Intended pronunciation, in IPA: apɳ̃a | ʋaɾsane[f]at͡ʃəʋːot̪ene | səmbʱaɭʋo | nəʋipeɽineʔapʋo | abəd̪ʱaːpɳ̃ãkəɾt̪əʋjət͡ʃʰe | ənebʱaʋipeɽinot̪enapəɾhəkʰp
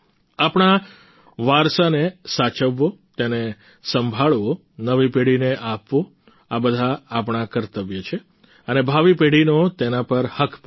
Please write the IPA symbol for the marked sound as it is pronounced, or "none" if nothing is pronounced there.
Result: s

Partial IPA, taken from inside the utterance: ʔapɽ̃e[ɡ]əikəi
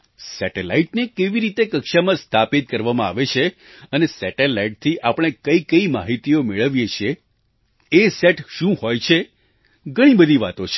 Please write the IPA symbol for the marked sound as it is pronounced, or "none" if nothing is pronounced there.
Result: k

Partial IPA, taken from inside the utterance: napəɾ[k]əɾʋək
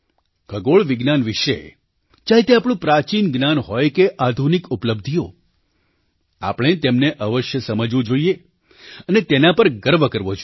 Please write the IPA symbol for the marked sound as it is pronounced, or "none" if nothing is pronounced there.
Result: ɡ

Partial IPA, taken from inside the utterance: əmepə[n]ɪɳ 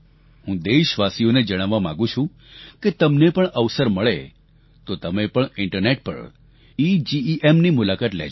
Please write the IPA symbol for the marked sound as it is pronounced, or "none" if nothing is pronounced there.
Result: ɳ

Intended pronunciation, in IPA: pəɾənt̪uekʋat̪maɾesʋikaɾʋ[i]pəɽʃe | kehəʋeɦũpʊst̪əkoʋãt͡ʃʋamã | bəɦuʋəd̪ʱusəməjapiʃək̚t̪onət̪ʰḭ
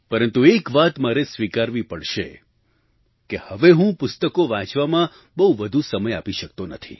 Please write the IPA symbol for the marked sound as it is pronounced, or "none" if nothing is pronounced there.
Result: i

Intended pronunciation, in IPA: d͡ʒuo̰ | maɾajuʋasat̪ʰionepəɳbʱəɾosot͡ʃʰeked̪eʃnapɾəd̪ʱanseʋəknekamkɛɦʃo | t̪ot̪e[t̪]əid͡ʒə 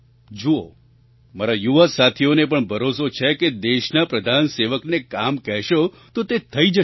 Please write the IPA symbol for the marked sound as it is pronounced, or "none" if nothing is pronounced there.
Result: t̪ʰ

